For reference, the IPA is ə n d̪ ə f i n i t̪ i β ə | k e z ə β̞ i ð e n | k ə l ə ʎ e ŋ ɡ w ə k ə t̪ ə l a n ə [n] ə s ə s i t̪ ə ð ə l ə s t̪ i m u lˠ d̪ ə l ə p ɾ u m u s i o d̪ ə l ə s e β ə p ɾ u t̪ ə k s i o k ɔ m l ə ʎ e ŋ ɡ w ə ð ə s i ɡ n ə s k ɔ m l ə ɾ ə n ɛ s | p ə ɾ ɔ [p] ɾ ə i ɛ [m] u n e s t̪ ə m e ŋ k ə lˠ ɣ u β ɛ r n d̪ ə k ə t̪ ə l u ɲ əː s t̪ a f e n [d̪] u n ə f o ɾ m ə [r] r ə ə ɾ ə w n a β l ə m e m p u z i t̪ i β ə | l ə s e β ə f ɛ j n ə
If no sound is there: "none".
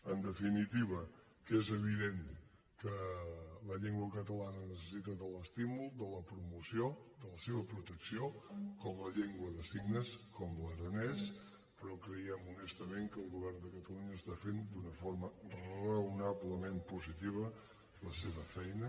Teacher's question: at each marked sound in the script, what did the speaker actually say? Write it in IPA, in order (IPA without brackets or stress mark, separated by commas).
n, k, m, d̪, r